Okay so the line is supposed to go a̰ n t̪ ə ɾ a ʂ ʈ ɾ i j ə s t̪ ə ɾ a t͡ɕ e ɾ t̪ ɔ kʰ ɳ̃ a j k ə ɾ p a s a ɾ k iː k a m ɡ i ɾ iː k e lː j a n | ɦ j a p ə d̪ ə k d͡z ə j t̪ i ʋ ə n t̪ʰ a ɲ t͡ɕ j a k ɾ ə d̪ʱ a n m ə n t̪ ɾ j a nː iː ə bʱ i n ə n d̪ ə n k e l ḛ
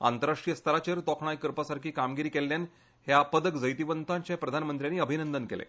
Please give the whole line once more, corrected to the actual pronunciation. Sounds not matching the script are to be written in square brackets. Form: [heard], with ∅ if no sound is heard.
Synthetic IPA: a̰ n t̪ ə ɾ a ʂ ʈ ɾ i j ə s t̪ ə ɾ a t͡ɕ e ɾ t̪ ɔ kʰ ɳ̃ a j k ə ɾ p a s a ɾ k iː k a m ɡ i ɾ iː k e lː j a n | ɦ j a p ə d̪ ə k d͡z ə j t̪ i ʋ ə n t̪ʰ a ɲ t͡ɕ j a [p] ɾ ə d̪ʱ a n m ə n t̪ ɾ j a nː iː ə bʱ i n ə n d̪ ə n k e l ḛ

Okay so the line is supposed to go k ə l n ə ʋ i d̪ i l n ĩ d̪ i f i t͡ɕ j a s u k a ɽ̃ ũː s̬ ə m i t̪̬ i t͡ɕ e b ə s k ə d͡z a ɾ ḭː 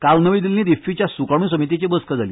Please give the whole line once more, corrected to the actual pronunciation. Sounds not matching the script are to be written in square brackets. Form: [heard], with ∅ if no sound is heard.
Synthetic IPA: k [a] l n ə ʋ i d̪ i l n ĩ d̪ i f i t͡ɕ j a s u k a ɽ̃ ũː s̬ ə m i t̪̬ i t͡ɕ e b ə s k ə d͡z a [l] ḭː

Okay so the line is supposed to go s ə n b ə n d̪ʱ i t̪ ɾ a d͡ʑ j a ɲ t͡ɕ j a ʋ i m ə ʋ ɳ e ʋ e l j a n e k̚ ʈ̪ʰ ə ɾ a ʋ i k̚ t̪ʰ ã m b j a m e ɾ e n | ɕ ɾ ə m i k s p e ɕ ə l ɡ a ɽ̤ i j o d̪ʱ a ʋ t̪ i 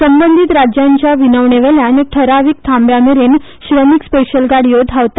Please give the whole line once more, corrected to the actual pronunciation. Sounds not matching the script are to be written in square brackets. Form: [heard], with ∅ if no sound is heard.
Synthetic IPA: s ə [m] b ə n d̪ʱ i t̪ ɾ a d͡ʑ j a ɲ t͡ɕ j a ʋ i [n] ə ʋ ɳ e ʋ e l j a n e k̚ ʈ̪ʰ ə ɾ a ʋ i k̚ t̪ʰ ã m b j a m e ɾ e n | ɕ ɾ ə m i k s p e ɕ ə l ɡ a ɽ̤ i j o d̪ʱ a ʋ t̪ [a]

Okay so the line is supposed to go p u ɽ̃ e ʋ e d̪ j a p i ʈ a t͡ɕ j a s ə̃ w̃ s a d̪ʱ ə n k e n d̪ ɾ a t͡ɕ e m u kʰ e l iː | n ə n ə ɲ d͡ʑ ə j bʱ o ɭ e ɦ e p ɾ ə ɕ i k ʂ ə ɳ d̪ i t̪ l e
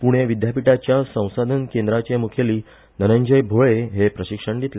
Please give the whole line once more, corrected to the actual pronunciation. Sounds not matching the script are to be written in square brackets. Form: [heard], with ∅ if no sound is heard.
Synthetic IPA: p u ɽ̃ e ʋ [i] d̪ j a p i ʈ a t͡ɕ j a s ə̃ w̃ s a d̪ʱ ə n k e n d̪ ɾ a t͡ɕ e m u kʰ e l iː | n ə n ə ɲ d͡ʑ ə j bʱ o ɭ e ɦ e p ɾ ə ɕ i k ʂ ə ɳ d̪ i t̪ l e

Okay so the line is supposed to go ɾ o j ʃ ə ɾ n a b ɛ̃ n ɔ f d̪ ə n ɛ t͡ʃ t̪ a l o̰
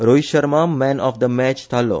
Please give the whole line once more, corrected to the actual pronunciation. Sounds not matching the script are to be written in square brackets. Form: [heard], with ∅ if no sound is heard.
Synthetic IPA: ɾ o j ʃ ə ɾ [m] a [m] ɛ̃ n ɔ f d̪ ə [m] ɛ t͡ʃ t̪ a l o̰

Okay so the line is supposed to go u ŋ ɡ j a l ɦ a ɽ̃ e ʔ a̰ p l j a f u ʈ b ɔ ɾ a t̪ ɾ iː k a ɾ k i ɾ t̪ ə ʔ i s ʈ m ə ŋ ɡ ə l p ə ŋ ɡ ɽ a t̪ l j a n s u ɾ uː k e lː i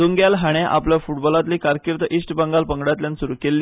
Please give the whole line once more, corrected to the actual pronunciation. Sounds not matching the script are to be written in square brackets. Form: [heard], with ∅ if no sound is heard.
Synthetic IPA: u ŋ ɡ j a l ɦ a ɽ̃ e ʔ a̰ p l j a f u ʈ b ɔ [l] a t̪ [l] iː k a ɾ k i ɾ t̪ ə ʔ i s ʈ [b] ə ŋ ɡ [a] l p ə ŋ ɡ ɽ a t̪ l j a n s u ɾ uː k e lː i

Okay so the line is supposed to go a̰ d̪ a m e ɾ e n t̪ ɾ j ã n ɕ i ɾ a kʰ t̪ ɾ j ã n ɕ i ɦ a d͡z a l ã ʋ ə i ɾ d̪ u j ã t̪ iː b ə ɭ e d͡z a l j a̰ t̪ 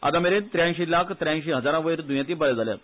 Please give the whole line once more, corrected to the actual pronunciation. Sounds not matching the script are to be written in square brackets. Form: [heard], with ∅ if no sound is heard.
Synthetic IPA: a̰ d̪ a m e ɾ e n t̪ ɾ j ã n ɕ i [l] a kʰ t̪ ɾ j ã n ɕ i ɦ [ə] d͡z a [ɾ] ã ʋ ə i ɾ d̪ u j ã t̪ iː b ə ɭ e d͡z a l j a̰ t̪

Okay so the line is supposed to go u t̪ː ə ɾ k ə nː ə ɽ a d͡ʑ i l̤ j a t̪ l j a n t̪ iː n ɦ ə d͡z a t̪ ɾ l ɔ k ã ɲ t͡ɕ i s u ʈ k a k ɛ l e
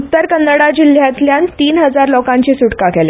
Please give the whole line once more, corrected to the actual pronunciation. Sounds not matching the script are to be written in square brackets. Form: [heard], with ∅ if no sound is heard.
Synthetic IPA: u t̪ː ə ɾ k ə nː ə ɽ a d͡ʑ i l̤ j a t̪ l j a n t̪ iː n ɦ ə d͡z a [∅] ɾ l ɔ k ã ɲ t͡ɕ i s u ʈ k a k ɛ l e

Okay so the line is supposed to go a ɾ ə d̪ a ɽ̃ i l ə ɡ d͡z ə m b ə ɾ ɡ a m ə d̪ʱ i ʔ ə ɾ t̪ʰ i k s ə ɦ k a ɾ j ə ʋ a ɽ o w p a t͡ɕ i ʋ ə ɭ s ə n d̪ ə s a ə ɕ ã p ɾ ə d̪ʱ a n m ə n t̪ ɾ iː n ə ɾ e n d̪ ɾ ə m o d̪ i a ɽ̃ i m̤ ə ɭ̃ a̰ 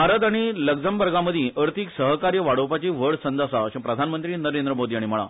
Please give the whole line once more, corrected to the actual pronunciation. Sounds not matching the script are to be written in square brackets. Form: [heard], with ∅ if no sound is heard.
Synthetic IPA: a ɾ ə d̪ a ɽ̃ i l ə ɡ d͡z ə m b ə ɾ ɡ a m ə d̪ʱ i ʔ ə ɾ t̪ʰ i k s ə ɦ k a ɾ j ə ʋ a ɽ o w p a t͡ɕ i ʋ ə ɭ s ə n d̪ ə s a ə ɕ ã p ɾ ə d̪ʱ a n m ə n t̪ ɾ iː n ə ɾ e n d̪ ɾ ə m o d̪ i a ɽ̃ i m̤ ə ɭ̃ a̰

